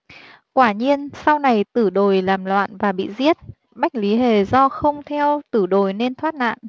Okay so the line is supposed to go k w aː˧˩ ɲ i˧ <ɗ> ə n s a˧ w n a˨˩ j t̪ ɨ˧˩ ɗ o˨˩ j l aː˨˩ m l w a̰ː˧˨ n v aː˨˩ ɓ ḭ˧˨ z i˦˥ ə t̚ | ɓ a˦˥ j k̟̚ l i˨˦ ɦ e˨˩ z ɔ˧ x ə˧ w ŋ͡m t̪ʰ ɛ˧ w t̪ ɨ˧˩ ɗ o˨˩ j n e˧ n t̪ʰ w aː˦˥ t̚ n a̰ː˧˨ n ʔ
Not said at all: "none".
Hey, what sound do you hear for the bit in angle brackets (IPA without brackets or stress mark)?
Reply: none